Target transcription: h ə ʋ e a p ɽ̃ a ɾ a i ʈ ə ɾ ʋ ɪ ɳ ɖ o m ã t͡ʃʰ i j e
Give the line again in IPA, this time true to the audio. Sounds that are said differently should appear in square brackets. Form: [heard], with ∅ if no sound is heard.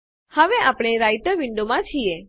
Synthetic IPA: h ə ʋ e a p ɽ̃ [e] ɾ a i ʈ ə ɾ ʋ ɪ ɳ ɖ o m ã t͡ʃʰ i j e